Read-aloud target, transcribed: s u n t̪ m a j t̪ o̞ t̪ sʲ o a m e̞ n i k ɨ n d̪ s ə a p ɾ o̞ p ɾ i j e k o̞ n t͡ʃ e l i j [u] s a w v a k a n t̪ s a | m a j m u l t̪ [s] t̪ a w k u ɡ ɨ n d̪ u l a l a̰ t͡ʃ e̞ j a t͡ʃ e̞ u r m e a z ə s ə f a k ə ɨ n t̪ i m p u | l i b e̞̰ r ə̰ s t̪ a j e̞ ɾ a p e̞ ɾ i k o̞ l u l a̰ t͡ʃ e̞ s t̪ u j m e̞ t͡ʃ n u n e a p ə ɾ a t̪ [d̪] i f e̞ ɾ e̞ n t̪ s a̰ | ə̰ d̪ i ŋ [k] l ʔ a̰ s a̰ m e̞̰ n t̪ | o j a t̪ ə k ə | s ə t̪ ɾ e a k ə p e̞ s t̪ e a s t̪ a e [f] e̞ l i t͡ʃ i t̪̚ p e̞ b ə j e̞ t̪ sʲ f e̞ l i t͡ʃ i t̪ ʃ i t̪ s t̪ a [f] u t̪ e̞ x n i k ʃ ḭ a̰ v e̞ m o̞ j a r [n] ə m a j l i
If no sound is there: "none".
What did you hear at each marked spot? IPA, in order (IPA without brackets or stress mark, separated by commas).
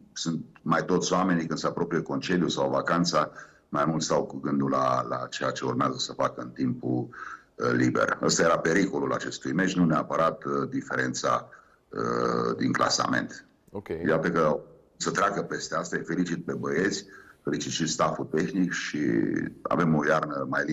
u, s, d̪, k, f, f, n